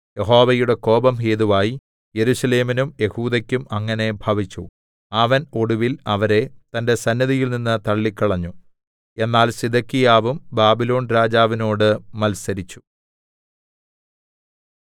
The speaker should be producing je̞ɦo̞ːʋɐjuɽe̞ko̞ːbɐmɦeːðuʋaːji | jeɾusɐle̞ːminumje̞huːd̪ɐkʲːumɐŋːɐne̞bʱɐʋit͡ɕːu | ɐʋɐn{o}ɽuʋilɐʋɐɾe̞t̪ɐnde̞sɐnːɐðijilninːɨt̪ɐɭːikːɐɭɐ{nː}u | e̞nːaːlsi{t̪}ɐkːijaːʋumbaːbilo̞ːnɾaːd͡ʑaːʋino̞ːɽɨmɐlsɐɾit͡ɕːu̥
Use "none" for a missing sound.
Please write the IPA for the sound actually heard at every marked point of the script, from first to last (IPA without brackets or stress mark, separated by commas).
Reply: o, ɲː, d̪